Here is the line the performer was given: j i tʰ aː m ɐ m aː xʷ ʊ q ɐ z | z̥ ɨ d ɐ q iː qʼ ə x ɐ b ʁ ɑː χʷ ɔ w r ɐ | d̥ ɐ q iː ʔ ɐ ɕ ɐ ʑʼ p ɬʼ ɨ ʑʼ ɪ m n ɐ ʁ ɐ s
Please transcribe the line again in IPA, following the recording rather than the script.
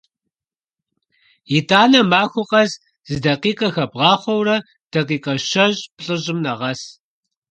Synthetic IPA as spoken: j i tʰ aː n ɐ m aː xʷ ʊ q ɐ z | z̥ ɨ d ɐ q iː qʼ ɐ x ɐ b ʁ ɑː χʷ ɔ w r ɐ | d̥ ɐ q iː q ɐ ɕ ɐ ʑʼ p ɬʼ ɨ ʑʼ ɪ m n ɐ ʁ ɐ s